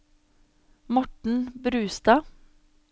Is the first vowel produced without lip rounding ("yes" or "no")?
no